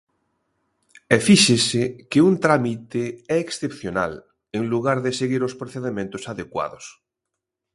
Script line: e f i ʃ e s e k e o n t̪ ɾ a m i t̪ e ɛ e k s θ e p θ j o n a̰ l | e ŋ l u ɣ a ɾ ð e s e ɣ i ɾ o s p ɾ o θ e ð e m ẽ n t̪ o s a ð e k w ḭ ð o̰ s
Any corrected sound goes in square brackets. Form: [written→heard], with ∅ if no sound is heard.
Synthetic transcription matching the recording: e f i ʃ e s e k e [o→u] n t̪ ɾ a m i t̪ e ɛ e k s θ e p θ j o n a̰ l | e ŋ l u ɣ a ɾ ð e s e ɣ i ɾ o s p ɾ o θ e ð e m ẽ n t̪ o s a ð e k w [ḭ→a̰] ð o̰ s